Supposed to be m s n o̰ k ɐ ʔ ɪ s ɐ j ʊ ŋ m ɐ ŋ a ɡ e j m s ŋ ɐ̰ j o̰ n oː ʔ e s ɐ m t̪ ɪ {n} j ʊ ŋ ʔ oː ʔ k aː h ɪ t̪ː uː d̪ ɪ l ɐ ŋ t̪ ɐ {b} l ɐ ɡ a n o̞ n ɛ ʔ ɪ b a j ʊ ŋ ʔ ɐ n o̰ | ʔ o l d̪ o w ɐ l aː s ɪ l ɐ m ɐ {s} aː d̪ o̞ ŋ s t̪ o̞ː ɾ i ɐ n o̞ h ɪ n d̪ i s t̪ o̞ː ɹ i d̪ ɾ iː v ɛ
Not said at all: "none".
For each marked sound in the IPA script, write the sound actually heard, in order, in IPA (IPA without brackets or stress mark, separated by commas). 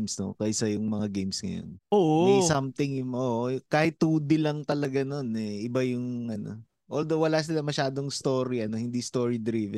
ŋ, none, ʃ